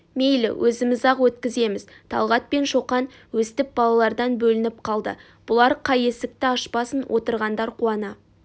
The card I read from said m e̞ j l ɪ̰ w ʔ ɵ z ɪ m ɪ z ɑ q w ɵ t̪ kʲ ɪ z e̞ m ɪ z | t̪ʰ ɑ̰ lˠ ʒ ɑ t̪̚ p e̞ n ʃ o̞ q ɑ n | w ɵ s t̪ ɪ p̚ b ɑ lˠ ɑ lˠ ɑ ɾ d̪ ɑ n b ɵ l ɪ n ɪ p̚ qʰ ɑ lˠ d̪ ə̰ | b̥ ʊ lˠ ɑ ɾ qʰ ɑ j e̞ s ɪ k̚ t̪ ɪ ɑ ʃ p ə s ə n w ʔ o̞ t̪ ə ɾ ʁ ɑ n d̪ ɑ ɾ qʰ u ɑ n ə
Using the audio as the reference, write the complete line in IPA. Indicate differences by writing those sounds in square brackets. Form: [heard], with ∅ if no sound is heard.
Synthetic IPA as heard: m e̞ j l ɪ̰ w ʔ ɵ z ɪ m ɪ z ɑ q w ɵ t̪ kʲ ɪ z e̞ m ɪ z | t̪ʰ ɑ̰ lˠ [ʁ] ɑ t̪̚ p e̞ n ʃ o̞ q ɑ n | w ɵ s t̪ ɪ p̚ b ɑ lˠ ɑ lˠ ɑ ɾ d̪ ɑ n b ɵ l ɪ n ɪ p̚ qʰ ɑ lˠ d̪ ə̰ | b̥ ʊ lˠ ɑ ɾ qʰ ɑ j e̞ s ɪ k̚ t̪ ɪ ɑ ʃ p [ɑ] s ə n w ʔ o̞ t̪ ə ɾ ʁ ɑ n d̪ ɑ ɾ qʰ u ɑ n [ɑ]